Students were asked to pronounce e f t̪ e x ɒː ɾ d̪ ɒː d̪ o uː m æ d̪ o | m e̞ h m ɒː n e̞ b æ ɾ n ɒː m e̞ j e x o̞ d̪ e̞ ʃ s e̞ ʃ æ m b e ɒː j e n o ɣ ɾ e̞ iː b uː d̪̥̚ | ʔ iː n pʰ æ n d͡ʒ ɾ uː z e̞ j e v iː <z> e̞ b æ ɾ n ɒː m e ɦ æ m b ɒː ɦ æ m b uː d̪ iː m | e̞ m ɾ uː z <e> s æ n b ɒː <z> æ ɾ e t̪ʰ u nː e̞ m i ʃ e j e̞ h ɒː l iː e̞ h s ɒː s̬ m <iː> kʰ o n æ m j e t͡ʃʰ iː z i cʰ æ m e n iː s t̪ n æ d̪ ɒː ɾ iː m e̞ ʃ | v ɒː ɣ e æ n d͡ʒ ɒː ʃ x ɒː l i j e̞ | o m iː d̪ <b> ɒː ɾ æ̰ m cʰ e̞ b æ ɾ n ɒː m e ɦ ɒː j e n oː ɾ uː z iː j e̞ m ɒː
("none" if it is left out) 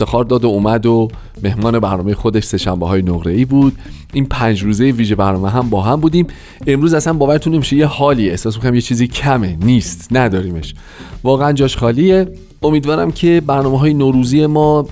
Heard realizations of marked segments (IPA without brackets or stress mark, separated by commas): ʒ, æ, v, i, v